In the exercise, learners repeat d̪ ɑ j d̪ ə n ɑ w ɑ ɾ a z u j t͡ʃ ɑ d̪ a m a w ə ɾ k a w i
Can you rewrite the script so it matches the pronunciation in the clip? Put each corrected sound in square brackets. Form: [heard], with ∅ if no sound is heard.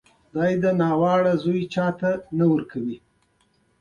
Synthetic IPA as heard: d̪ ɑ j d̪ ə n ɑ w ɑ [ɽ] a z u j t͡ʃ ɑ [t̪] a [n] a w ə ɾ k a w i

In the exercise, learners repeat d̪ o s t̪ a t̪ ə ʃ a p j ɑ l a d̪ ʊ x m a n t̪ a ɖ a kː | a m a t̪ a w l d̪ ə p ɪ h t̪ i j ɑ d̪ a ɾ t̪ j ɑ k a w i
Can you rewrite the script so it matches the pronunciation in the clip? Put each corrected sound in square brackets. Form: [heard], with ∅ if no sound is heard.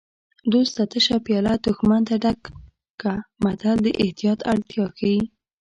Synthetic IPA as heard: d̪ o s t̪ a t̪ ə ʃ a p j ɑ l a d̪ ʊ x m a n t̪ a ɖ a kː | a m a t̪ a [∅] l d̪ ə [ʔ] ɪ h t̪ i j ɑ [t̪] a [ɽ] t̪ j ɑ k a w i

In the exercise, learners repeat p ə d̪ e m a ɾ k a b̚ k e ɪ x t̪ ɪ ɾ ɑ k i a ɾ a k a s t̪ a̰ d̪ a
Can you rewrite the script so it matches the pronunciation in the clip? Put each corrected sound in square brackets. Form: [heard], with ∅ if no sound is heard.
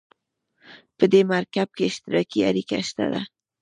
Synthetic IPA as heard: p ə d̪ e m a ɾ k a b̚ k e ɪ [ʃ] t̪ ɪ ɾ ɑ k i a ɾ [i] k a [ʃ] t̪ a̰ d̪ a

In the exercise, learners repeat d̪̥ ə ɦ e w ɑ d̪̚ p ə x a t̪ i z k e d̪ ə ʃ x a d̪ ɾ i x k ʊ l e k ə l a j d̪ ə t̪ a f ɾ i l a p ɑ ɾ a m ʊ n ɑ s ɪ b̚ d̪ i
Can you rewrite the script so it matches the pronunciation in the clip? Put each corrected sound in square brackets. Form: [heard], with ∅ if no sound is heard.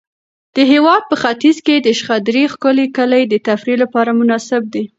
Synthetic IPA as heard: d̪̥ ə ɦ e w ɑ d̪̚ p ə x a t̪ i z k e d̪ ə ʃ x a d̪ ɾ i x k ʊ l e k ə l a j d̪ ə t̪ a f ɾ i l a p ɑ ɾ a m ʊ n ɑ s ɪ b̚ d̪ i

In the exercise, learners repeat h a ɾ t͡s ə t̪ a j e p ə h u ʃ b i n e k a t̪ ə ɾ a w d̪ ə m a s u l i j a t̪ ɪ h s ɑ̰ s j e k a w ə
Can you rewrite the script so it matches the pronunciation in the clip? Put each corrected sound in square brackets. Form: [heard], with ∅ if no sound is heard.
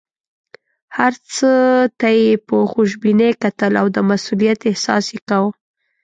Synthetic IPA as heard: h a ɾ t͡s ə t̪ a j e p ə [x] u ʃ b i n e k a t̪ ə [l] a w d̪ ə m a s u l i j a t̪ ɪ h s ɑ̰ s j e k a w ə

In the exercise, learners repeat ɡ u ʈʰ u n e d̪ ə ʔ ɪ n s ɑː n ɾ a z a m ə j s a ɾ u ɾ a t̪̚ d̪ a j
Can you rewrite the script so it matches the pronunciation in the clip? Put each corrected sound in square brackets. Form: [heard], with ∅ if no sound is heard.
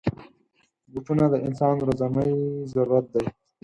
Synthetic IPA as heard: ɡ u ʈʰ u n [a] d̪ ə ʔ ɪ n s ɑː n ɾ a z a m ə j [z] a ɾ u ɾ a t̪̚ d̪ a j

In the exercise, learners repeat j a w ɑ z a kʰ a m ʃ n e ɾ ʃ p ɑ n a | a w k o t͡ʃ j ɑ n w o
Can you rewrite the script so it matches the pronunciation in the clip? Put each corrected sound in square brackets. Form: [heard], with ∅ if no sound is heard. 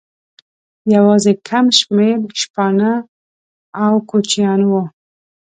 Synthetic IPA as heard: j a w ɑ z [e] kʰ a m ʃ [m] e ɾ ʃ p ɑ n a | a w k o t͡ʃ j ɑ n w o

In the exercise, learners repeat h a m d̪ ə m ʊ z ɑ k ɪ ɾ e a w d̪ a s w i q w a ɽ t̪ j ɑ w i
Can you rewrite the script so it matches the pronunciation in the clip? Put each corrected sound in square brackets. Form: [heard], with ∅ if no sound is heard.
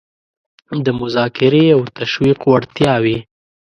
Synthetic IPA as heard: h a m d̪ ə m ʊ z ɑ k ɪ ɾ e a w [t̪] a [ʃ] w i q w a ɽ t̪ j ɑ w i

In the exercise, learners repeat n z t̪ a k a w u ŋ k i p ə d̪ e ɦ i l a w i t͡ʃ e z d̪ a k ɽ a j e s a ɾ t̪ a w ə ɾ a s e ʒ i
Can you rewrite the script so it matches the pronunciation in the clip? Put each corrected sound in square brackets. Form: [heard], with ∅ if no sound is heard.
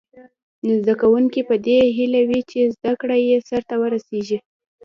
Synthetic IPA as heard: n z [d̪] a k a w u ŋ k i p ə d̪ e ɦ i l a w i t͡ʃ e z d̪ a k ɽ a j e s a ɾ t̪ a w ə ɾ a s e ʒ i

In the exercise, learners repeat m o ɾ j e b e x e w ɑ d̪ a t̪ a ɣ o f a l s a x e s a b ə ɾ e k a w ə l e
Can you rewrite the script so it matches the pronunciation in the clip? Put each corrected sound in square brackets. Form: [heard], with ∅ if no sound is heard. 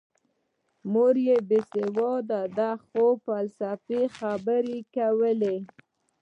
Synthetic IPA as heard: m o ɾ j e b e [s] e w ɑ d̪ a [d̪] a [x] o f a l s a [f] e [x] a b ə ɾ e k a w ə l e

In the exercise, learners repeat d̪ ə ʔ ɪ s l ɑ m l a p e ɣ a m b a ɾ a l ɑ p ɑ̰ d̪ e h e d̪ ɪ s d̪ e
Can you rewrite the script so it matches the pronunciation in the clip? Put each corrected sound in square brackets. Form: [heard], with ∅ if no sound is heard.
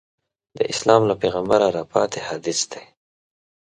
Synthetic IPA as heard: d̪ ə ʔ ɪ s l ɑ m l a p e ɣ a m b a ɾ a [ɾ] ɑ p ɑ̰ [t̪] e h [a] d̪ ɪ s d̪ e

